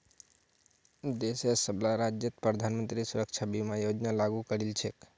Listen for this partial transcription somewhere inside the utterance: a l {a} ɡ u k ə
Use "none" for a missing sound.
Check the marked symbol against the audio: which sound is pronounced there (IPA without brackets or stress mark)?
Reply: a